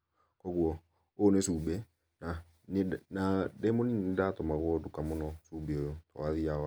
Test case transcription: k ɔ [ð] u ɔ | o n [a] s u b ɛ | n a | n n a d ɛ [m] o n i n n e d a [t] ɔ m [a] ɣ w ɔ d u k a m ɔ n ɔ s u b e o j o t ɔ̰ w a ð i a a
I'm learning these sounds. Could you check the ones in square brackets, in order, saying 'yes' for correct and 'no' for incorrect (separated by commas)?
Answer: no, no, yes, yes, yes